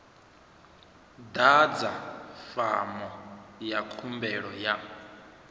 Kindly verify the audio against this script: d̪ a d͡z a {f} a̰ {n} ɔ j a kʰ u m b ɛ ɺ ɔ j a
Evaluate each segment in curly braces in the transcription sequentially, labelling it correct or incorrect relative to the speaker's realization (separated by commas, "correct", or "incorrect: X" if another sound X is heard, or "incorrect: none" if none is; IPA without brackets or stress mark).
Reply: correct, incorrect: m